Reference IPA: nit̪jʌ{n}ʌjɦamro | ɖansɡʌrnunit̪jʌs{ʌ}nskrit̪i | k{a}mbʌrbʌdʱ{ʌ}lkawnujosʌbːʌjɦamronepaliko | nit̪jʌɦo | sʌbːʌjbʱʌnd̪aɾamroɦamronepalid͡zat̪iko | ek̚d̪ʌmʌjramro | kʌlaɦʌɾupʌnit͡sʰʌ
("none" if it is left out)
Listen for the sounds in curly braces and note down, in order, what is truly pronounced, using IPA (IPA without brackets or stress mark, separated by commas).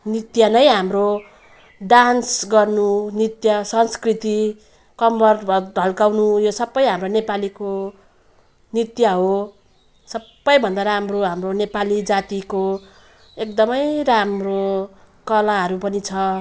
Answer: n, ʌ, ʌ, ʌ